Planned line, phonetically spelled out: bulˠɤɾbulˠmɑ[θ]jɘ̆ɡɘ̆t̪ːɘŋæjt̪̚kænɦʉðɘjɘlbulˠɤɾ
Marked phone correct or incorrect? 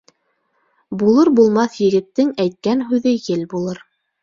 correct